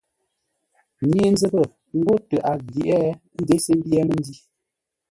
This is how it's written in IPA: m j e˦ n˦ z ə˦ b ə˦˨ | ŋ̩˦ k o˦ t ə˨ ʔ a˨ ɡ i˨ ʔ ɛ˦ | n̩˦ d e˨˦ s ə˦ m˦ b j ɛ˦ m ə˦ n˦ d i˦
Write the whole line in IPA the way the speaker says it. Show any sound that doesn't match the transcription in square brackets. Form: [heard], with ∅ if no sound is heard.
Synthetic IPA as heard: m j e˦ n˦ z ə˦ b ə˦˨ | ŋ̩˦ [ɡ] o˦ t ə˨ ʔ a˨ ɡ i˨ ʔ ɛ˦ | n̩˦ d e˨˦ s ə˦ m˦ b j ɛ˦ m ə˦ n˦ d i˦